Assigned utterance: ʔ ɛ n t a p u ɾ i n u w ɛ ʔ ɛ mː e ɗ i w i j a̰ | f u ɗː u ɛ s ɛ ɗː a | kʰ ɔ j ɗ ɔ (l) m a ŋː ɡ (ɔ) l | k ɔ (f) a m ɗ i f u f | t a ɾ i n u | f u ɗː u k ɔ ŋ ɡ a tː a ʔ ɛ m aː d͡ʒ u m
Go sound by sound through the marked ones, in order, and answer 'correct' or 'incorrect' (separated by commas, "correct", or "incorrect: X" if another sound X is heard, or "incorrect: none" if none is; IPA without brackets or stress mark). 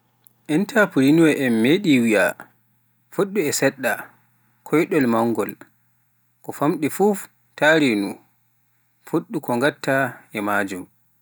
correct, correct, correct